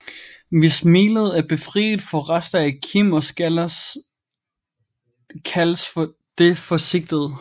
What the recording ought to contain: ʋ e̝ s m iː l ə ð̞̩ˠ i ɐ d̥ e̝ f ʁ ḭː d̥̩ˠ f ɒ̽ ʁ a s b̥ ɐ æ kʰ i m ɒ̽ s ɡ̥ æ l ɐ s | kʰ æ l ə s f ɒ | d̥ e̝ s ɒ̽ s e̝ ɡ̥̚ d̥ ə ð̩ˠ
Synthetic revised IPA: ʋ e̝ s m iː l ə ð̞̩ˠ æ ɐ b̥ e̝ f ʁ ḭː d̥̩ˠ f ɒ̽ ʁ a s d̥ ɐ æ kʰ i m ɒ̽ s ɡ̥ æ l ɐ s | kʰ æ l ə s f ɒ | d̥ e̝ f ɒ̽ s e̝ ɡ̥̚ d̥ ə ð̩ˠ